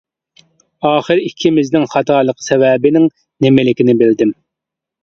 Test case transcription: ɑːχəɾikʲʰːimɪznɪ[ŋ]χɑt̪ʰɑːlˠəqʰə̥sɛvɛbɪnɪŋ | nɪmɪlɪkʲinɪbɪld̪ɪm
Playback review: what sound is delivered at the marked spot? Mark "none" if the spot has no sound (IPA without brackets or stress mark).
ŋ